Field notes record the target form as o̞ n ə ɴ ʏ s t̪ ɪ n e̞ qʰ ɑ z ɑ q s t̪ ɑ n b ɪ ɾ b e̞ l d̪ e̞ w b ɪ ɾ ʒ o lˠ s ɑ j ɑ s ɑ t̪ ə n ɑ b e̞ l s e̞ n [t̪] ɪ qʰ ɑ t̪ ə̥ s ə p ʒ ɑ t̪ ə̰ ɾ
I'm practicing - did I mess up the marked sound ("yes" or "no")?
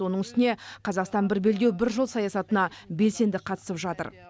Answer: yes